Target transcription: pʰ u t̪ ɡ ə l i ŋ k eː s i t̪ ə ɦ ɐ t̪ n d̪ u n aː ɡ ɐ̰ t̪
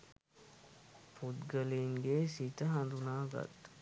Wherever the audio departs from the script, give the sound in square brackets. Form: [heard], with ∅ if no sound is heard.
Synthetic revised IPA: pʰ u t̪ ɡ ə l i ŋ [ɡ] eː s i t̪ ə ɦ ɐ [∅] n d̪ u n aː ɡ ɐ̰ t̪